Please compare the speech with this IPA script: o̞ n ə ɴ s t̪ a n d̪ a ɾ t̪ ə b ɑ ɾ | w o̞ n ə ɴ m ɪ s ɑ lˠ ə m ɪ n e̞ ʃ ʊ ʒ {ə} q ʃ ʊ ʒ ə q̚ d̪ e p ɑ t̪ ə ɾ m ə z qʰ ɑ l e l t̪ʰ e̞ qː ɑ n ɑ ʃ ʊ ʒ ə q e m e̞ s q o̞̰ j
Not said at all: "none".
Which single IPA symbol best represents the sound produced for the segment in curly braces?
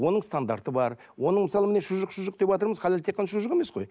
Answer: ə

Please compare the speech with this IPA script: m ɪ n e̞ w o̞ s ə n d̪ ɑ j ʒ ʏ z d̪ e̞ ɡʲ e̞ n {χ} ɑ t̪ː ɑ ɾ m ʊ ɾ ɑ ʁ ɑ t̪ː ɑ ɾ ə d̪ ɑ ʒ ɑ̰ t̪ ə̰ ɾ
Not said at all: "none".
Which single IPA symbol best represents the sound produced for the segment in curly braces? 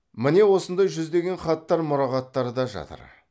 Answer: χ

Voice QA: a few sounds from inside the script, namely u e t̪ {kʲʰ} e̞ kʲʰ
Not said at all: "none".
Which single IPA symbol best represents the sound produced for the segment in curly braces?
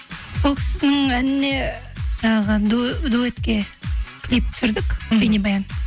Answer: kʲ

